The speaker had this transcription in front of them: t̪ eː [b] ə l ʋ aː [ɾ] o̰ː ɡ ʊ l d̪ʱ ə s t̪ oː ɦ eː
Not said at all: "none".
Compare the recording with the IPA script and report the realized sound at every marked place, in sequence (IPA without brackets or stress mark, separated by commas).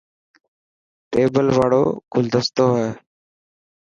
b, ɽ